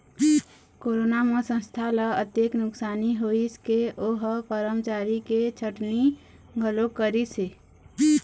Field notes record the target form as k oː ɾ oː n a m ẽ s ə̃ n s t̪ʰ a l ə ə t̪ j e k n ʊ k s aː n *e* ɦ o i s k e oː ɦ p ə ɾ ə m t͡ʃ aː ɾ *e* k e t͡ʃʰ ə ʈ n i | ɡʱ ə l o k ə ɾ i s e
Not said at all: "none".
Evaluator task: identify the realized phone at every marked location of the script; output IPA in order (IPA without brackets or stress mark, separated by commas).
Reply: i, i